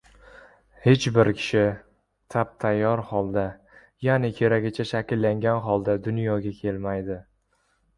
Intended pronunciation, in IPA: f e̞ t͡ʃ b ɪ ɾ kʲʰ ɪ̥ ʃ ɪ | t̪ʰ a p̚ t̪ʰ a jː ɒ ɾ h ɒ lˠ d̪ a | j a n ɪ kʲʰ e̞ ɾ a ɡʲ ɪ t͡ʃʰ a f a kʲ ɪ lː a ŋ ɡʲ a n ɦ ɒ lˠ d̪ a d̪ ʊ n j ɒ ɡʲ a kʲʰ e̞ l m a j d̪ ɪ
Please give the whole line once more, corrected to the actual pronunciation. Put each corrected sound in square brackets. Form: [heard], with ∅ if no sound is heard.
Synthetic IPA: [h] e̞ t͡ʃ b ɪ ɾ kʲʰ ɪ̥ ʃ ɪ | t̪ʰ a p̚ t̪ʰ a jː ɒ ɾ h ɒ lˠ d̪ a | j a n ɪ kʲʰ e̞ ɾ a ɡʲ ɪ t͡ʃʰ a [ʃ] a kʲ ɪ lː a ŋ ɡʲ a n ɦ ɒ lˠ d̪ a d̪ ʊ n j ɒ ɡʲ a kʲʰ e̞ l m a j d̪ ɪ